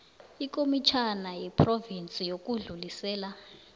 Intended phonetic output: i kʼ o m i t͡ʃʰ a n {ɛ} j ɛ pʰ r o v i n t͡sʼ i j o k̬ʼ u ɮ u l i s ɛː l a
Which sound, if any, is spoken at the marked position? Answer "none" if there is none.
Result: a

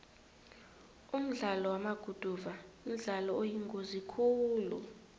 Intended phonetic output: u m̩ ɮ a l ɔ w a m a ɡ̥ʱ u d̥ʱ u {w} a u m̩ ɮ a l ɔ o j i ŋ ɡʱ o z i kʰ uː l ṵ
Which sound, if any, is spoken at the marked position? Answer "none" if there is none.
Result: v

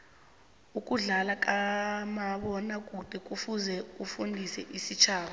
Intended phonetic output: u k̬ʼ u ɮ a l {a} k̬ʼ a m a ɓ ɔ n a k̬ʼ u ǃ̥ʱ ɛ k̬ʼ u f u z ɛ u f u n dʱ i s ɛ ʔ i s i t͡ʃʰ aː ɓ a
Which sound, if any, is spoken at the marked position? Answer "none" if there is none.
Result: a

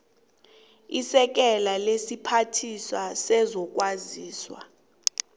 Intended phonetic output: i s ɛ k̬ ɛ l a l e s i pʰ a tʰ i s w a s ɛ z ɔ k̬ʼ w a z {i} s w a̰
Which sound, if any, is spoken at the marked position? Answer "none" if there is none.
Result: iː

